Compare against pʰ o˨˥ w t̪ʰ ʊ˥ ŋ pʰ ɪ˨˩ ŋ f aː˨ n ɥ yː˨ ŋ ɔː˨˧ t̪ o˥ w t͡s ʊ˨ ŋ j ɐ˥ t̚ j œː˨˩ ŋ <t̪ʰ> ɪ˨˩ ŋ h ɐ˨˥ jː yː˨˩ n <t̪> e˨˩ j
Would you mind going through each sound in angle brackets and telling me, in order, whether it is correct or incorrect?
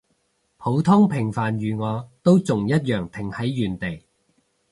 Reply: correct, correct

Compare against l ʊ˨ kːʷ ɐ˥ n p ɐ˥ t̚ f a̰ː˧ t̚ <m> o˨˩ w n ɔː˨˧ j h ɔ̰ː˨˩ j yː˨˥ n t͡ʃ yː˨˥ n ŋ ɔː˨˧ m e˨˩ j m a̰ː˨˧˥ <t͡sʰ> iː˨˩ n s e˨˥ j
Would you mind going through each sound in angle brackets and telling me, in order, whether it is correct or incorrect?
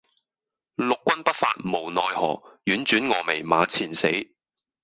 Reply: correct, correct

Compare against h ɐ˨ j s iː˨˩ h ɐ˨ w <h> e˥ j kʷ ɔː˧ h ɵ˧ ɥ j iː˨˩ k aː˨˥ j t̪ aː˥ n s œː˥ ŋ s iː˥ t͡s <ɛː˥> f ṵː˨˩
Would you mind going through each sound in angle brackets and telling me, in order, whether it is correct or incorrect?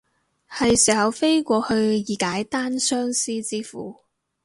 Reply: incorrect: f, incorrect: iː˥

